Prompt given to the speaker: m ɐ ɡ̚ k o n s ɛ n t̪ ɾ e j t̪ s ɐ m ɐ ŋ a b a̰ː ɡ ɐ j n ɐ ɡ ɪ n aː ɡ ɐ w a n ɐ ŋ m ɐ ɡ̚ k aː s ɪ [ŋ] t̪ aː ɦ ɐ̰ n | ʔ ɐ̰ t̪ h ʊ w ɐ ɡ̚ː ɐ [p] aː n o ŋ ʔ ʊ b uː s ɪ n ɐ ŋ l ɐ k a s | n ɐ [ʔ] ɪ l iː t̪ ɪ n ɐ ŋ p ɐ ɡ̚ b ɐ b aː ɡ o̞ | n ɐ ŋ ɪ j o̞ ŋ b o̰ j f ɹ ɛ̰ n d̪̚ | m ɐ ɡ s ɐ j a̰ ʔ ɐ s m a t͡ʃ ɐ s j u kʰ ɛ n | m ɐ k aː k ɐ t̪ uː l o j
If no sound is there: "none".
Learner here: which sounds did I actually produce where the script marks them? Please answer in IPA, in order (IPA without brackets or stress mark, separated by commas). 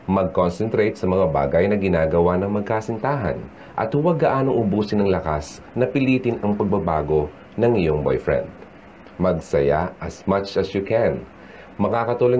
n, ʔ, p